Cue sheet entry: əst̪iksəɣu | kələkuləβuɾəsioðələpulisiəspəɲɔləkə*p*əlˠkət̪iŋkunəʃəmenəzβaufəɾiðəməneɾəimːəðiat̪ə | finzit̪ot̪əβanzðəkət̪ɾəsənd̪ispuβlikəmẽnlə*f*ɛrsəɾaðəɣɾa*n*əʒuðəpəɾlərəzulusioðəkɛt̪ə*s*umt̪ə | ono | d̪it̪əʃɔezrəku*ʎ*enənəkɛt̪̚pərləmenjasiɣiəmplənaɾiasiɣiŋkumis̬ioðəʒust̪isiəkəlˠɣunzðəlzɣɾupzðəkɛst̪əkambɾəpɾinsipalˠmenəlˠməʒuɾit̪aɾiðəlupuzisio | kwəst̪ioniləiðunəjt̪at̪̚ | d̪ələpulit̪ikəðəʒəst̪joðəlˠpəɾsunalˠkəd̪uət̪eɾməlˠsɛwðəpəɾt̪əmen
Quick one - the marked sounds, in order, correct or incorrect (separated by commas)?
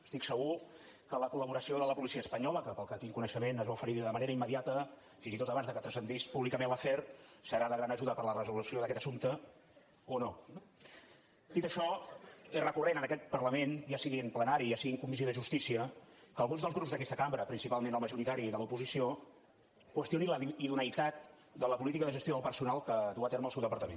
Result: correct, correct, correct, correct, incorrect